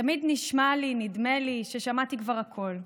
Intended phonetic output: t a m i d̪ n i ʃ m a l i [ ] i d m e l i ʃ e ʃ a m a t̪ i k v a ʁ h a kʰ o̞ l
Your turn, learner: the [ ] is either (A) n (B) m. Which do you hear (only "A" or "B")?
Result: A